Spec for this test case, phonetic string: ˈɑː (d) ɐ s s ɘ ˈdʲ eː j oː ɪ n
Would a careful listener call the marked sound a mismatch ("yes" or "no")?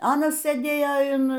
yes